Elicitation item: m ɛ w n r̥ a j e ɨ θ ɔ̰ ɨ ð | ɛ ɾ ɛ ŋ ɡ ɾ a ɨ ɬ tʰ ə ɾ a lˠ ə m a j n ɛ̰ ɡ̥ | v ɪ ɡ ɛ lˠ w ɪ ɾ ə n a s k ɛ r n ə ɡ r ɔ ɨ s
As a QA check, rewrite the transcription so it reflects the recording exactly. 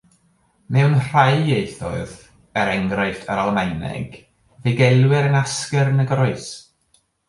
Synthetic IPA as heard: m ɛ w n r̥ a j e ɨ θ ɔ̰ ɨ ð | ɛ ɾ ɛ ŋ ɡ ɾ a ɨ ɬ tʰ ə ɾ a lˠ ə m a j n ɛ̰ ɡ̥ | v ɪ ɡ ɛ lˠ w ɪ ɾ ə n a s k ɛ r n ə ɡ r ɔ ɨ s

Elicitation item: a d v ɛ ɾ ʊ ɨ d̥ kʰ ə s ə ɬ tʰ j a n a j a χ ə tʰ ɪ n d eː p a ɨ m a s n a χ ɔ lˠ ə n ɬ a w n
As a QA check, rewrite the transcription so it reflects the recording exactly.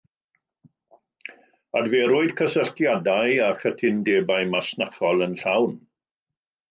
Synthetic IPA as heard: a d v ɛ ɾ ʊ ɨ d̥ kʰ ə s ə ɬ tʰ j a d a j a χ ə tʰ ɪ n d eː b a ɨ m a s n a χ ɔ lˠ ə n ɬ a w n

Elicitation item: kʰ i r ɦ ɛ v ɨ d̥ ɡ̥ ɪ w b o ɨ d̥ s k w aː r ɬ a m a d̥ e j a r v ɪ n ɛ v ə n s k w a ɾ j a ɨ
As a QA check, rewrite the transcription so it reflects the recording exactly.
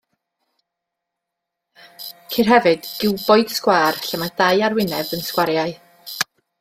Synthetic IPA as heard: kʰ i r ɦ ɛ v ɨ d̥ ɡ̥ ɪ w b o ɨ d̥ s k w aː r ɬ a m a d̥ a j a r w ɪ n ɛ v ə n s k w a ɾ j a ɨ

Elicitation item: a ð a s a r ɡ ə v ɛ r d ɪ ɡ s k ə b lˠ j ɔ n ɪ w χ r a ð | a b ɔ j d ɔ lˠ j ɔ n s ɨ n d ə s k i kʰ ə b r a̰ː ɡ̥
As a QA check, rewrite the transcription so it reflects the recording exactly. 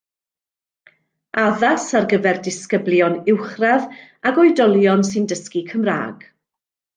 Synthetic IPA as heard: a ð a s a r ɡ ə v ɛ r d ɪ s k ə b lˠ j ɔ n ɪ w χ r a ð | a ɡ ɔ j d ɔ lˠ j ɔ n s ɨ n d ə s k i kʰ ə m r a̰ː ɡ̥

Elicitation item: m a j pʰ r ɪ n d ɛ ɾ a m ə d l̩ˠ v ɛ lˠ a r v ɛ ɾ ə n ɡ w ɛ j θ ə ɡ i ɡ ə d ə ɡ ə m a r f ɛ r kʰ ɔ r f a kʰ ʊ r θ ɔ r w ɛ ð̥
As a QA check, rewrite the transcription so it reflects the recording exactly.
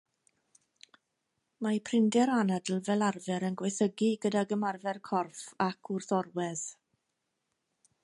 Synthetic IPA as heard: m a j pʰ r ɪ n d ɛ ɾ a n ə d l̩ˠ v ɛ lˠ a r v ɛ ɾ ə n ɡ w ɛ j θ ə ɡ i ɡ ə d a ɡ ə m a r v ɛ r kʰ ɔ r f a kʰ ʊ r θ ɔ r w ɛ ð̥

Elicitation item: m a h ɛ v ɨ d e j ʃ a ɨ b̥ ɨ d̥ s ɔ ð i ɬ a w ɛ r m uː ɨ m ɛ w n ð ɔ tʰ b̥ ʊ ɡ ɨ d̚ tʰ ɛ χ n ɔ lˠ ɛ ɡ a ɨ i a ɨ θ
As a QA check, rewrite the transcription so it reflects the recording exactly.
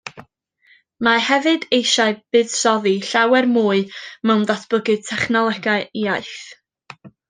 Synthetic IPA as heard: m a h ɛ v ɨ d e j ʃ a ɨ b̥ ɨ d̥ s ɔ ð i ɬ a w ɛ r m uː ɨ m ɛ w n ð ɔ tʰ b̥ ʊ ɡ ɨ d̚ tʰ ɛ χ n ɔ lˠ ɛ ɡ a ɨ i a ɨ θ

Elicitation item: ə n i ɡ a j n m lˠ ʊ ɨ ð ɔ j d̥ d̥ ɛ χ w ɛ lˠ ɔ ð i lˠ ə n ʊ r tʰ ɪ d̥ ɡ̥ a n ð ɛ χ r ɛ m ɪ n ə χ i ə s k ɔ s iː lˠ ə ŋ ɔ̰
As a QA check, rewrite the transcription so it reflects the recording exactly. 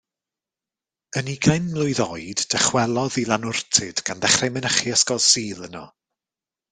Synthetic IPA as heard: ə n i ɡ a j n m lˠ ʊ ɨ ð ɔ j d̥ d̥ ɛ χ w ɛ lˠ ɔ ð i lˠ a n ʊ r tʰ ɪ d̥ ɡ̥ a n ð ɛ χ r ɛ m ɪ n ə χ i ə s k ɔ s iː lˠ ə n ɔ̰

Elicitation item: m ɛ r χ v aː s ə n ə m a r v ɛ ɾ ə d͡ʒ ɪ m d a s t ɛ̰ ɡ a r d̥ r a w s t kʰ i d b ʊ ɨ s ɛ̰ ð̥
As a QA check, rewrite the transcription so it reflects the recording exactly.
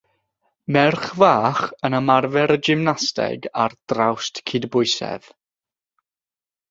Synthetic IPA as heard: m ɛ r χ v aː χ ə n ə m a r v ɛ ɾ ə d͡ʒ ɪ m n a s t ɛ̰ ɡ a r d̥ r a w s t kʰ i d b ʊ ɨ s ɛ̰ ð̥

